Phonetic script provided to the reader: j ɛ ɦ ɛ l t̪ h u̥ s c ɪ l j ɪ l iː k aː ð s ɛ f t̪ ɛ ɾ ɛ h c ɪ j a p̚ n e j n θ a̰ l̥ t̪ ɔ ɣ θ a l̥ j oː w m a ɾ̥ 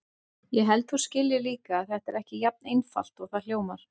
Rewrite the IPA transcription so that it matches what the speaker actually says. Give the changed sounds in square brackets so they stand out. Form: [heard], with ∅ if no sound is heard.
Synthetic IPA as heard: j ɛ ɦ ɛ l t̪ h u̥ s c ɪ l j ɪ l iː k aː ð [θ] ɛ [h] t̪ ɛ ɾ ɛ h c ɪ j a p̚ n e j n [f] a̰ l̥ t̪ ɔ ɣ θ a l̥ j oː w m a ɾ̥